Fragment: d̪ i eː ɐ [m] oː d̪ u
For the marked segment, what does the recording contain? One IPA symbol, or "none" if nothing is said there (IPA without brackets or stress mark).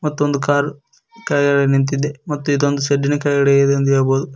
b